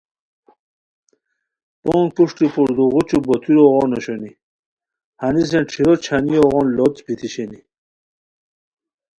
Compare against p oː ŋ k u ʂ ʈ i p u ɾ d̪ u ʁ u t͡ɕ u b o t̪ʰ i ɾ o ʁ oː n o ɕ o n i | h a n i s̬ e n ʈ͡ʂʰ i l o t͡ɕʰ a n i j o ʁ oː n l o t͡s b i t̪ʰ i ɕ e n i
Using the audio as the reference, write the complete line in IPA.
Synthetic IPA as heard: p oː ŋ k u ʂ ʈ i p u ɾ d̪ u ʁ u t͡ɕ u b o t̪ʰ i ɾ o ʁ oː n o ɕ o n i | h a n i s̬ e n ʈ͡ʂʰ i ɾ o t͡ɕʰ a n i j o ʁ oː n l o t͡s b i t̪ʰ i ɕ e n i